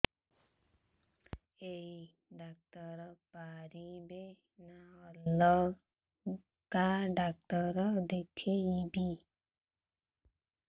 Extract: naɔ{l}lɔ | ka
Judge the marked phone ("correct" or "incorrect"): correct